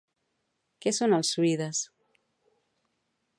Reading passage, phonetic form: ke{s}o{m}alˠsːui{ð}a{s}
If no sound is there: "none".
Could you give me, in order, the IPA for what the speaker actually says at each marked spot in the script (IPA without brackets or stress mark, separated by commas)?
s, n, ð, s